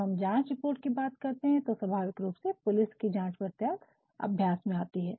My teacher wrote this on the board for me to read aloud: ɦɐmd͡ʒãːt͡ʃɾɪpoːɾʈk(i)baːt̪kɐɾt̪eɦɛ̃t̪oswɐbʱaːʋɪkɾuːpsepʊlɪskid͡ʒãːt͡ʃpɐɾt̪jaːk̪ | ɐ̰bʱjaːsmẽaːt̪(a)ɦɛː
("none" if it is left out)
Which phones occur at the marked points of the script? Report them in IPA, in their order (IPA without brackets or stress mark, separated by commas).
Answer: i, i